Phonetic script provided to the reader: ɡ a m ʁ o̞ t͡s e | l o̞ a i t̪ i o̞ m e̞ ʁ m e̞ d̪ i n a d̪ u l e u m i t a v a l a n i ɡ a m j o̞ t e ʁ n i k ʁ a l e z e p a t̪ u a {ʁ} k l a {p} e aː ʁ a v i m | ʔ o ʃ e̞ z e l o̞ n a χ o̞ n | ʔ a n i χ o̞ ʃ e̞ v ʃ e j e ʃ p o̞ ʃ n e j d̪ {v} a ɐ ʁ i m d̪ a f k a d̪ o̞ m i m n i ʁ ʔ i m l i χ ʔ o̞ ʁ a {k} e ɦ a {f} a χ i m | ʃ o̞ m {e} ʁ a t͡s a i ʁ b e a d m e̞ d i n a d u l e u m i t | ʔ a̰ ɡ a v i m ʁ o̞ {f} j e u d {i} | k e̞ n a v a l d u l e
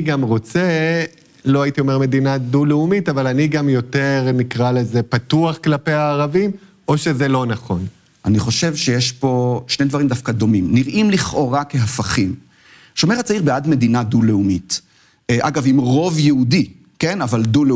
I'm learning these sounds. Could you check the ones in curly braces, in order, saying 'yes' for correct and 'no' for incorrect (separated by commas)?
no, yes, yes, yes, yes, yes, no, yes